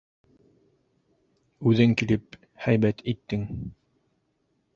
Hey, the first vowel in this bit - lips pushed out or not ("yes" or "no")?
yes